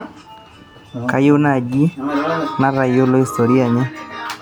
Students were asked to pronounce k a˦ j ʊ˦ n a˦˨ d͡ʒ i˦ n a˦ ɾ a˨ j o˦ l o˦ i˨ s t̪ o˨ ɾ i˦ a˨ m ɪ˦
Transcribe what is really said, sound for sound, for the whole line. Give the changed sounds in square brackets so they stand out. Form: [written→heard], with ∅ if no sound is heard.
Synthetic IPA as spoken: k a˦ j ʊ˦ n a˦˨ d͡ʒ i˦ n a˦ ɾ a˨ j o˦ l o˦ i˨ s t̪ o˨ ɾ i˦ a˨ [m→ɲ] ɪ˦